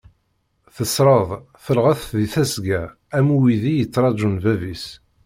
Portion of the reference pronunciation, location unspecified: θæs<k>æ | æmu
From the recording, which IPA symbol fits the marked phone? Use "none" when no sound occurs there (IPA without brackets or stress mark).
ɡ